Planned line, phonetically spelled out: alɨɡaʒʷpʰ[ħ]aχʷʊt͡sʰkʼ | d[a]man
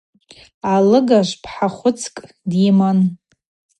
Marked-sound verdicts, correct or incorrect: correct, incorrect: i

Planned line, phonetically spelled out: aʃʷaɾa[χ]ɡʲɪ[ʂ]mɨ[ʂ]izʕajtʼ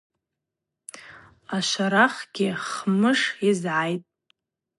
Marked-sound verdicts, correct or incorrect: correct, incorrect: χ, correct

